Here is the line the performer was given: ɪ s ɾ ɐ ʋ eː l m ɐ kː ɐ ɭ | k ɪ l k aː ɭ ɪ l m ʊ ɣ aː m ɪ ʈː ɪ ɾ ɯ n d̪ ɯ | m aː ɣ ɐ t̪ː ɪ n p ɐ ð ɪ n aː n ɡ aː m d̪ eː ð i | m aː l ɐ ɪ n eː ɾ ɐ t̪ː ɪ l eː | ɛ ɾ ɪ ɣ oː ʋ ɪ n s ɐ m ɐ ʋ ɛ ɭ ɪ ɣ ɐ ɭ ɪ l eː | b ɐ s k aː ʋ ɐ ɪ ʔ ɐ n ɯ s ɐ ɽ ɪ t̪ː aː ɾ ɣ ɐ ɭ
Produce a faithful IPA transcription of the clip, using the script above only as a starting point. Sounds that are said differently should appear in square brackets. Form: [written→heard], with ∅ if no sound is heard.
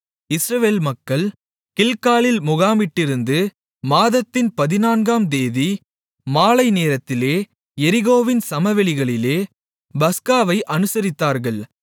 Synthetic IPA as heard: ɪ s ɾ ɐ ʋ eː l m ɐ kː ɐ ɭ | k ɪ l k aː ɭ ɪ l m ʊ ɣ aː m ɪ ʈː ɪ ɾ ɯ n d̪ ɯ | m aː [ɣ→ð] ɐ t̪ː ɪ n p ɐ ð ɪ n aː n ɡ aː m d̪ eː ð i | m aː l ɐ ɪ n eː ɾ ɐ t̪ː ɪ l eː | ɛ ɾ ɪ ɣ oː ʋ ɪ n s ɐ m ɐ ʋ ɛ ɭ ɪ ɣ ɐ ɭ ɪ l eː | b ɐ s k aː ʋ ɐ ɪ ʔ ɐ n ɯ s ɐ [ɽ→ɾ] ɪ t̪ː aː ɾ ɣ ɐ ɭ